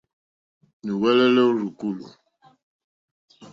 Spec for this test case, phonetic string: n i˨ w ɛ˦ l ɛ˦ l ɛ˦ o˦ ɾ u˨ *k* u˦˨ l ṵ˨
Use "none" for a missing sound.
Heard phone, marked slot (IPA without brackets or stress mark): k